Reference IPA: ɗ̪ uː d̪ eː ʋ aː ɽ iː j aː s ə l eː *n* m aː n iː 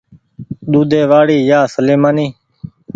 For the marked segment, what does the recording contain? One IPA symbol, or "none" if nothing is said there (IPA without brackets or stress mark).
none